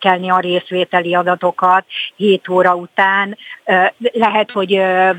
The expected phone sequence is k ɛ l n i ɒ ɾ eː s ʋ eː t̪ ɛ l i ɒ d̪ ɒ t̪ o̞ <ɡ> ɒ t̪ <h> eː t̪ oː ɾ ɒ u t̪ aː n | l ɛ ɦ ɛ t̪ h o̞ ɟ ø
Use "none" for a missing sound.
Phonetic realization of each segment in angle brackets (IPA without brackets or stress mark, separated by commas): k, h